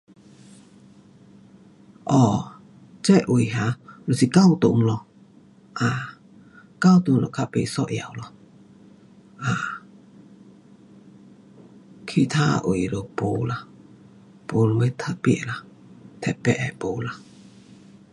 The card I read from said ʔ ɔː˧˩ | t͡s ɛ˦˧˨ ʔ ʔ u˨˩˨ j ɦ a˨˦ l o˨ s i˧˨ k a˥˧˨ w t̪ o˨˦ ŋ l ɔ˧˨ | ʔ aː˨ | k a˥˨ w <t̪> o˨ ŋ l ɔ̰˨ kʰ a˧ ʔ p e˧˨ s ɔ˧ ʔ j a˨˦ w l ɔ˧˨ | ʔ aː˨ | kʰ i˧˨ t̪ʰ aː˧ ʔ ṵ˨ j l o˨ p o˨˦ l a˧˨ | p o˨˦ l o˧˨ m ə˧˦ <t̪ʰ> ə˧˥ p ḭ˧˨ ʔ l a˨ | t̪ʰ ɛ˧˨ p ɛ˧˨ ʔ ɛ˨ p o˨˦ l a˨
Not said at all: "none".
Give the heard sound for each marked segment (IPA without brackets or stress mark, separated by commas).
t̪, t̪ʰ